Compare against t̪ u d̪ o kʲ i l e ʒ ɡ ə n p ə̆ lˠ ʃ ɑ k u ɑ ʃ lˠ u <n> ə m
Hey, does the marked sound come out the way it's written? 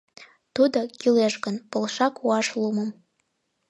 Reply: no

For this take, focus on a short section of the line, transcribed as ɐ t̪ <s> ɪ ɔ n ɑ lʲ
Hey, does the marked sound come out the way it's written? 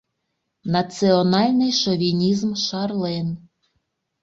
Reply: yes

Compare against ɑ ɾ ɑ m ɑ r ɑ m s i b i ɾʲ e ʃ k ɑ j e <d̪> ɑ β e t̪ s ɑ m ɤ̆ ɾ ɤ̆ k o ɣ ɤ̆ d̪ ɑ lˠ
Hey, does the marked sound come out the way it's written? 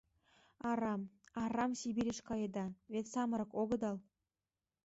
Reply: yes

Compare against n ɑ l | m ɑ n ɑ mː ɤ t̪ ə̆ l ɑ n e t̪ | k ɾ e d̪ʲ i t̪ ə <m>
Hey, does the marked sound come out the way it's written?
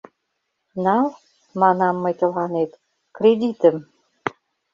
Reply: yes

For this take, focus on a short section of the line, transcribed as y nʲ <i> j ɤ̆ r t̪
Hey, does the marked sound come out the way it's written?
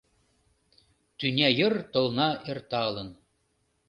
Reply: no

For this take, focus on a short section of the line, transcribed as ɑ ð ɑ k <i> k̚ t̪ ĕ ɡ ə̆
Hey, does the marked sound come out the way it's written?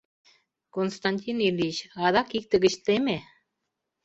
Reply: yes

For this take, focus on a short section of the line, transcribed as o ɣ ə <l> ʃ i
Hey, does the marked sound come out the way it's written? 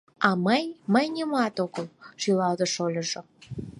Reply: yes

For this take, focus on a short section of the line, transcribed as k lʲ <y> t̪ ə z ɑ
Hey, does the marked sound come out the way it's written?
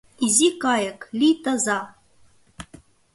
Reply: no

